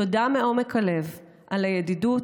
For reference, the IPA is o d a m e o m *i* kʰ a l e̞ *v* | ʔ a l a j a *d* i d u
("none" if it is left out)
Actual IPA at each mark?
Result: e, v, d

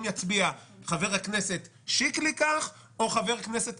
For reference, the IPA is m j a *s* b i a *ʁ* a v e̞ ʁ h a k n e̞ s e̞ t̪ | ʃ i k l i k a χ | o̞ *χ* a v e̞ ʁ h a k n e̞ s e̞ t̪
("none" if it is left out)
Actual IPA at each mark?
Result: t͡s, χ, χ

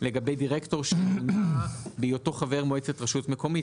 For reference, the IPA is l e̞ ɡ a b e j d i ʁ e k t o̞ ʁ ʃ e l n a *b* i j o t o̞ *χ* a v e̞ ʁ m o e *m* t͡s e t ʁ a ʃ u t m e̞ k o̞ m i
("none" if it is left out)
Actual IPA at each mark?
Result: b, χ, none

